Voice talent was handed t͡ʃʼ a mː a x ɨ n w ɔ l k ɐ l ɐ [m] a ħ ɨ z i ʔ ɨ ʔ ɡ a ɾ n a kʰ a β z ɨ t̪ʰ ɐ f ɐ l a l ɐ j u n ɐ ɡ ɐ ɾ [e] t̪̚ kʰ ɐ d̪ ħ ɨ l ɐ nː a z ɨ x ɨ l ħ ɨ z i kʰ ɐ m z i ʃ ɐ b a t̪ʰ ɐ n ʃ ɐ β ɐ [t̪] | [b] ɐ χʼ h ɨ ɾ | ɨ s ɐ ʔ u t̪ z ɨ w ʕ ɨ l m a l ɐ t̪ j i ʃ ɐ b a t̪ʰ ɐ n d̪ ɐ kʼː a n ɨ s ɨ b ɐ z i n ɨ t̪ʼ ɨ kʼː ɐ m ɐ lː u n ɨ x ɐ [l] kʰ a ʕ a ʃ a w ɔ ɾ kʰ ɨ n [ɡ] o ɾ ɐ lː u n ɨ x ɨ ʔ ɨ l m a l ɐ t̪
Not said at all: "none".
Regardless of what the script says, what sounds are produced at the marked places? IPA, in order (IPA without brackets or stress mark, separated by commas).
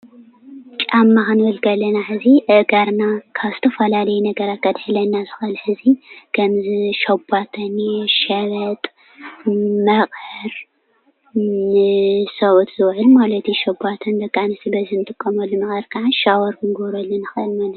n, a, t̪ʼ, m, ɾ, ɡ